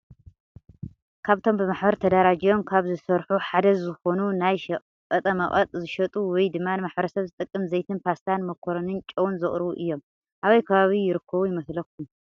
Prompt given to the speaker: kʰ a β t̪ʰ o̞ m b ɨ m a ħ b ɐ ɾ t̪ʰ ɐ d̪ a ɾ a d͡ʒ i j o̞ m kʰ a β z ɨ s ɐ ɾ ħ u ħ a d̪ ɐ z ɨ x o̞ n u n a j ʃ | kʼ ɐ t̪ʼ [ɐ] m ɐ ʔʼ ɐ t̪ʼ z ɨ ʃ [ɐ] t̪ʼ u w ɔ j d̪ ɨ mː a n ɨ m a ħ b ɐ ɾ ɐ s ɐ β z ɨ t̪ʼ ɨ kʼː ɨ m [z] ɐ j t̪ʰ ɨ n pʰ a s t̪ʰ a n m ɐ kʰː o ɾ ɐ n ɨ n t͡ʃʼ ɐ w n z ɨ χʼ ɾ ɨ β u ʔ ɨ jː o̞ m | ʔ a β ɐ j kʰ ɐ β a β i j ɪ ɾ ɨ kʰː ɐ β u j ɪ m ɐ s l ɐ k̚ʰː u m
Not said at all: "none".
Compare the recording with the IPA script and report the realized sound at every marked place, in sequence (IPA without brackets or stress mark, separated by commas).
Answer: ɐ, ɐ, z